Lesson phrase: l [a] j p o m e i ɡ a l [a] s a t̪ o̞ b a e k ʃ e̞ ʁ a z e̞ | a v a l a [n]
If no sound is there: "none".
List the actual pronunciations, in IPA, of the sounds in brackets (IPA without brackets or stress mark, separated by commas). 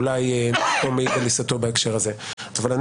a, i, n